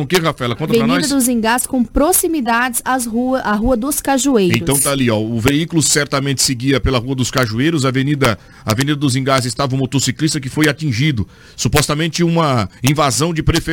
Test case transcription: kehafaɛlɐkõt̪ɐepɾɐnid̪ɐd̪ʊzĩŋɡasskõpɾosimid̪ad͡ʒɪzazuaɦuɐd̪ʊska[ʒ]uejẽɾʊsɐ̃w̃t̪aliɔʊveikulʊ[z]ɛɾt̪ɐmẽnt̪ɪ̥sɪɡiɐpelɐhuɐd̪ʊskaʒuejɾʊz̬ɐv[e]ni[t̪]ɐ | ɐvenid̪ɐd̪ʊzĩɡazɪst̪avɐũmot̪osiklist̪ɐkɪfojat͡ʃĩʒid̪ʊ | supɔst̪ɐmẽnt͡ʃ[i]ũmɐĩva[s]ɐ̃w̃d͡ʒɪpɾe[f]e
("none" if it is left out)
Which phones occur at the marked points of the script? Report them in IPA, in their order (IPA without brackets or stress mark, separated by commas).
ʒ, s, e, d̪, ɪ, z, f